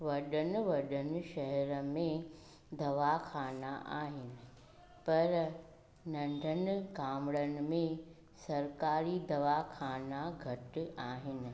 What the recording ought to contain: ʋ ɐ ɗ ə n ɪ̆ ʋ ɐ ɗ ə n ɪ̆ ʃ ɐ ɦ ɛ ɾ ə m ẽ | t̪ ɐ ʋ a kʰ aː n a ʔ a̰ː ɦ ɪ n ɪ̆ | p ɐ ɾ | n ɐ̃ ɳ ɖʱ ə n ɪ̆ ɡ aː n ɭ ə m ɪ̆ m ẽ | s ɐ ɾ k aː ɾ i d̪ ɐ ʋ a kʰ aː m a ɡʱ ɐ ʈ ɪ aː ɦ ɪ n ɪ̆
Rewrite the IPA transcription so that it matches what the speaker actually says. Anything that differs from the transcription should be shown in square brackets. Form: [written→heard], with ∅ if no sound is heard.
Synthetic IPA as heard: ʋ ɐ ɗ ə n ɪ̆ ʋ ɐ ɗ ə n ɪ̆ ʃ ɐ ɦ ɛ ɾ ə m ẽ | [t̪→d̪] ɐ ʋ a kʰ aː n a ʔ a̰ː ɦ ɪ n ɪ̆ | p ɐ ɾ | n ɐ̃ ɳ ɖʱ ə n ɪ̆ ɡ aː [n→m] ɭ ə [m→n] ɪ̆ m ẽ | s ɐ ɾ k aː ɾ i d̪ ɐ ʋ a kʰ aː [m→n] a ɡʱ ɐ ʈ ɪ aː ɦ ɪ n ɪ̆

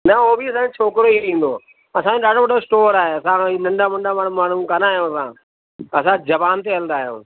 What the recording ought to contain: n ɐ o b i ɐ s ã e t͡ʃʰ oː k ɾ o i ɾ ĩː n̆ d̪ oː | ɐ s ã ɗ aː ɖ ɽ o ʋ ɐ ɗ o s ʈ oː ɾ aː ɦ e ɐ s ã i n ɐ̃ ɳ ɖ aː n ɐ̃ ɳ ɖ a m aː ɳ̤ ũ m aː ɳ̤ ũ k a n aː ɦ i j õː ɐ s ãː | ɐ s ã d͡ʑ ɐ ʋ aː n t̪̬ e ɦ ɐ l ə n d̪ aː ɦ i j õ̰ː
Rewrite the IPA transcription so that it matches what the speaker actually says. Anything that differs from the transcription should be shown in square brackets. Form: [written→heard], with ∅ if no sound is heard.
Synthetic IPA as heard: n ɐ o b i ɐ s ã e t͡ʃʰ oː k ɾ o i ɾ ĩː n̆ d̪ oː | ɐ s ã ɗ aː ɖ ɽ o ʋ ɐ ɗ o s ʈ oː ɾ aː ɦ e ɐ s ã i n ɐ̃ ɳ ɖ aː [n→m] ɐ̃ ɳ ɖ a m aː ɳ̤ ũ m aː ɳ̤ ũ k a n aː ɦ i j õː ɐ s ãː | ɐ s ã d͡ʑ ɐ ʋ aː n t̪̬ e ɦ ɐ l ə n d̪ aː ɦ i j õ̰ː

